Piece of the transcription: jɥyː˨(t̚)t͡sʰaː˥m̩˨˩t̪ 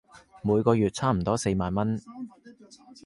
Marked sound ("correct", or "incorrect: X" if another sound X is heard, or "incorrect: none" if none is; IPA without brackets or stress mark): correct